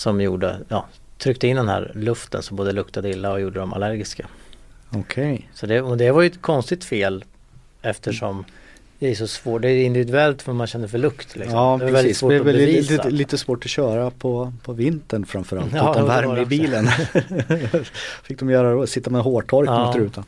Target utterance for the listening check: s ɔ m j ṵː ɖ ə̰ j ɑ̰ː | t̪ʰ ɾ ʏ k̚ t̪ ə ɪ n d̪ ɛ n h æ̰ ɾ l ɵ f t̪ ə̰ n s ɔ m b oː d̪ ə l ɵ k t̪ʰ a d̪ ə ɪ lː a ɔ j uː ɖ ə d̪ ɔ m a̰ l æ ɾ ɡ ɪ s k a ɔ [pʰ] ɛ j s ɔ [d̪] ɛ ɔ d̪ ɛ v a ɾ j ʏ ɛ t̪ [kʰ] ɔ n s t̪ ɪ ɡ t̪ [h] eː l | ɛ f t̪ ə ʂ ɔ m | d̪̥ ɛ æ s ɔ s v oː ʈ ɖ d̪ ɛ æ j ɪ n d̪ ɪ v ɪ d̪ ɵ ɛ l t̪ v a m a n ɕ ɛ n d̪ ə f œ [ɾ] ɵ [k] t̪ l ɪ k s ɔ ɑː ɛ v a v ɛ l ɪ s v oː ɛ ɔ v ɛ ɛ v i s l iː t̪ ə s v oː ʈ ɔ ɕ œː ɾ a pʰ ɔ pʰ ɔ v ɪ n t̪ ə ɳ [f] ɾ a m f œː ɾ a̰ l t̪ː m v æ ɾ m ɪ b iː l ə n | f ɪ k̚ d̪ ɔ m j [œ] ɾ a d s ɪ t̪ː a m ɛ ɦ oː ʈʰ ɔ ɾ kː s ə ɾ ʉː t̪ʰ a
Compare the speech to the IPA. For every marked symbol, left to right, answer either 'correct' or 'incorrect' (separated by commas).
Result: incorrect, correct, correct, incorrect, incorrect, correct, correct, incorrect